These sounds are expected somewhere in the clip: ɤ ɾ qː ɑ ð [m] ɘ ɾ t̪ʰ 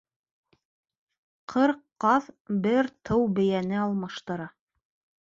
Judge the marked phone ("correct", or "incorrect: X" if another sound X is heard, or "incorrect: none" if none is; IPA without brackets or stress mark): incorrect: b